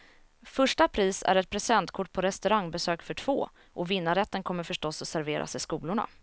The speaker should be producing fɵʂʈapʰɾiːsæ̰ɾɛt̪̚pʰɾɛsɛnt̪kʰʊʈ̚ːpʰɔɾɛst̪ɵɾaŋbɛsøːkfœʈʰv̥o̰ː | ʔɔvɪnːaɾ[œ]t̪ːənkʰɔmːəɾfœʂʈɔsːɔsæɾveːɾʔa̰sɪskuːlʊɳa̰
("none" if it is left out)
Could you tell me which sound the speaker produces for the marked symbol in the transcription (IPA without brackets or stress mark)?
ɛ